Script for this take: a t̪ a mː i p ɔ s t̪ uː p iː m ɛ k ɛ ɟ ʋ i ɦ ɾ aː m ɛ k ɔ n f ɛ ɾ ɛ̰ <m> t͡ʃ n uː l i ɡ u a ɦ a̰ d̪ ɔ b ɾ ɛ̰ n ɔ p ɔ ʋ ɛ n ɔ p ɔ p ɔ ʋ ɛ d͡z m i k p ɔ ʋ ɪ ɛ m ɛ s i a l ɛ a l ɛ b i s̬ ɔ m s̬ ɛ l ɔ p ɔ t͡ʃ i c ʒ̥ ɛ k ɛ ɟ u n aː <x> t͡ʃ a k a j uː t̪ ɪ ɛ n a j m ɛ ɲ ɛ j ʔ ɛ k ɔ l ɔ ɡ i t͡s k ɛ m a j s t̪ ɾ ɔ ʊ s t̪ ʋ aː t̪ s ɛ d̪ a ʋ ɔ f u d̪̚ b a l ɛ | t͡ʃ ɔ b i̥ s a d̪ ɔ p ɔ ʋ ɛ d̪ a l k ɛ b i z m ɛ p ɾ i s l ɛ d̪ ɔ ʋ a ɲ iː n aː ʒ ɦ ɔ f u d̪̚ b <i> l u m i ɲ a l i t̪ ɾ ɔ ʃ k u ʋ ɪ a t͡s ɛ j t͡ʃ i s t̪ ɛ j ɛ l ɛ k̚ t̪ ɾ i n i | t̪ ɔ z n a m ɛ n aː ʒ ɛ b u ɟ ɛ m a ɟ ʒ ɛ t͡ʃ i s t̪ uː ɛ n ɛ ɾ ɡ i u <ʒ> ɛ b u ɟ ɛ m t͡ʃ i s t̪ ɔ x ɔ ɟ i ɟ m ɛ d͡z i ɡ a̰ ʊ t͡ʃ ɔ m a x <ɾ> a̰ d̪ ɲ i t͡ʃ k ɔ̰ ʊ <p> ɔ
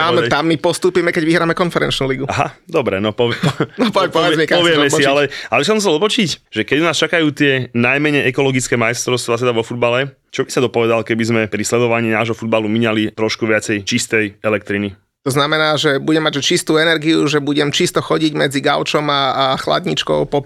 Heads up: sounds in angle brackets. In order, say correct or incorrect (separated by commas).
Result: incorrect, incorrect, incorrect, correct, incorrect, correct